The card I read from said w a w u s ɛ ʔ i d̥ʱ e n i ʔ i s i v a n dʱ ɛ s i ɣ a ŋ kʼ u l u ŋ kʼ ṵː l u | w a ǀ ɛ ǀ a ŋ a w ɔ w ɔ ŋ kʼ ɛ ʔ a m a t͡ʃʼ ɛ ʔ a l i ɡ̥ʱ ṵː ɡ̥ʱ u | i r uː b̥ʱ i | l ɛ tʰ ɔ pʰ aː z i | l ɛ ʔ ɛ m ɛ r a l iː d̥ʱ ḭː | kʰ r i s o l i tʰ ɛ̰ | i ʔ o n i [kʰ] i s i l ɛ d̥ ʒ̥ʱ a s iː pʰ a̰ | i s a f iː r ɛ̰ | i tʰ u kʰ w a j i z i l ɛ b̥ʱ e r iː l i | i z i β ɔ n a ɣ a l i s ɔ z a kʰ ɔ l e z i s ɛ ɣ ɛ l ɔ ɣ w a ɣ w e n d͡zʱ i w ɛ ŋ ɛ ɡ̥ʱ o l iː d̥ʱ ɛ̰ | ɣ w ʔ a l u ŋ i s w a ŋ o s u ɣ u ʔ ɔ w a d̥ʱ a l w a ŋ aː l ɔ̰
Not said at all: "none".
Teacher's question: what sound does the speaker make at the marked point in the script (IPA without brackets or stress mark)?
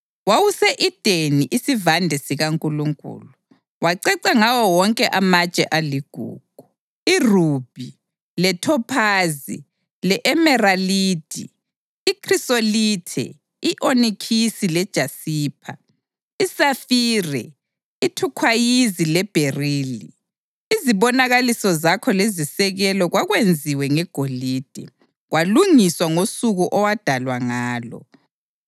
kʰ